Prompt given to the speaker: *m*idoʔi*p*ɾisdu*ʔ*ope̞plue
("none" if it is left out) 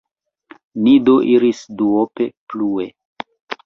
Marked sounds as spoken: n, none, none

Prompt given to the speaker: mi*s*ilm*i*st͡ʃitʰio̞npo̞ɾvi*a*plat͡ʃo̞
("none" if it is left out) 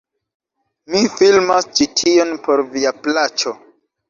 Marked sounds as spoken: f, a, a

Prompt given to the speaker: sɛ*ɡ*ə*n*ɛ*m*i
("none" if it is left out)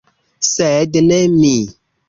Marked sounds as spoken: d, n, m

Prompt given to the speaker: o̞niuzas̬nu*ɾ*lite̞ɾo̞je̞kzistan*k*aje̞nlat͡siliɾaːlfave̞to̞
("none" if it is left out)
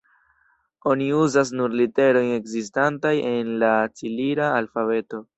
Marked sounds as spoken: ɾ, t

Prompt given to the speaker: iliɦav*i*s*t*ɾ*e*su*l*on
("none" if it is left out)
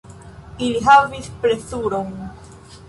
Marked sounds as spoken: i, p, e, ɾ

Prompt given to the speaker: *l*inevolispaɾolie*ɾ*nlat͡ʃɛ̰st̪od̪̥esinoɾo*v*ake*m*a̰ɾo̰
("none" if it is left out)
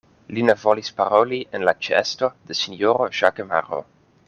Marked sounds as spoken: l, none, ʒ, m

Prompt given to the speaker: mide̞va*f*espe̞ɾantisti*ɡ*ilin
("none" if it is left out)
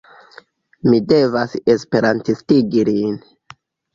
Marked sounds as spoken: s, ɡ

